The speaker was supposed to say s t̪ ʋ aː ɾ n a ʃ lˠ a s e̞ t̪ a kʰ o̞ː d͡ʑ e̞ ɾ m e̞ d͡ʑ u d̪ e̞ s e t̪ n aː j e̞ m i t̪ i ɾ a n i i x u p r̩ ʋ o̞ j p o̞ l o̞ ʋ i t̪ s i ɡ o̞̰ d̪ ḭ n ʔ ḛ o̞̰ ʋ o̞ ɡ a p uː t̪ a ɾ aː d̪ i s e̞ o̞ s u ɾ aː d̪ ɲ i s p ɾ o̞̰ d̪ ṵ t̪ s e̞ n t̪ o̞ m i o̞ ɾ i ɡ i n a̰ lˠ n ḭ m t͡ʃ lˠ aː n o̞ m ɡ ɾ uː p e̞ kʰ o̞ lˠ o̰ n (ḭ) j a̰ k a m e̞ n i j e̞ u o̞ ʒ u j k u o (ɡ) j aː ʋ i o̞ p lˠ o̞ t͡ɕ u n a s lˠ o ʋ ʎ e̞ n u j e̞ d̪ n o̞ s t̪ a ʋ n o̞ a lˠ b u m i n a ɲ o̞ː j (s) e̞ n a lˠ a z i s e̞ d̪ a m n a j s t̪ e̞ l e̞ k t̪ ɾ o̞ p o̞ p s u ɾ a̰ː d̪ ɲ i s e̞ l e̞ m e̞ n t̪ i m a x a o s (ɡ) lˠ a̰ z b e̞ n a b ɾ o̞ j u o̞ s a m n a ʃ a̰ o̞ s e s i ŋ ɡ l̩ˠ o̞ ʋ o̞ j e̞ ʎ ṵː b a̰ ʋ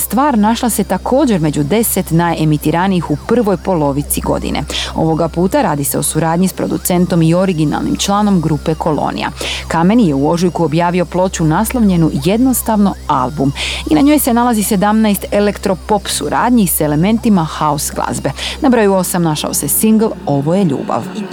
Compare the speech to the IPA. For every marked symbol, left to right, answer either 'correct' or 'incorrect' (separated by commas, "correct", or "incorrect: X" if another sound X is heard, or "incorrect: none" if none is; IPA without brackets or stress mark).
correct, incorrect: b, correct, correct